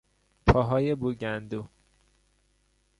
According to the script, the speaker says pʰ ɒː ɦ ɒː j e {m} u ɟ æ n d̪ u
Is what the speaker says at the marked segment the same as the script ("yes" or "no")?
no